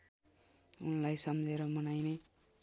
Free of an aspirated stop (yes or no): yes